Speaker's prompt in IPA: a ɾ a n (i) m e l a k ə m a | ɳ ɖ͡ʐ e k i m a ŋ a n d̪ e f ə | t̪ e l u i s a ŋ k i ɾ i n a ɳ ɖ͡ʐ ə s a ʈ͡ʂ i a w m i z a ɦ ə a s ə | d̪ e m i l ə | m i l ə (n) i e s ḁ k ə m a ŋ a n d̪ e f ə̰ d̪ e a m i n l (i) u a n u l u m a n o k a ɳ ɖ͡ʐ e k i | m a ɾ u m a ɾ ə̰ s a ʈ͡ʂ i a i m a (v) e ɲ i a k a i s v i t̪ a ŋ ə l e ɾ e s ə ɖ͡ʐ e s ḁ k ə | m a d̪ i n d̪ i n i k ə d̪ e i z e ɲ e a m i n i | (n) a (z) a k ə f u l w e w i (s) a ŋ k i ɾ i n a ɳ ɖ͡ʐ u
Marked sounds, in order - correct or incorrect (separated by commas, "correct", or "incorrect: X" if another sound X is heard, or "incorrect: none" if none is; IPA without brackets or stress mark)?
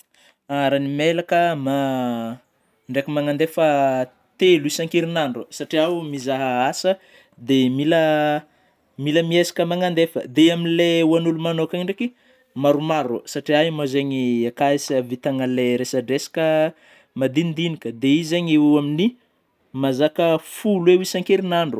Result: correct, incorrect: m, incorrect: e, incorrect: z, incorrect: m, correct, correct